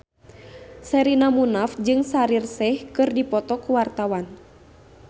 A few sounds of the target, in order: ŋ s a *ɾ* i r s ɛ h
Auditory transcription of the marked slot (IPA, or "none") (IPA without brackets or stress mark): ɾ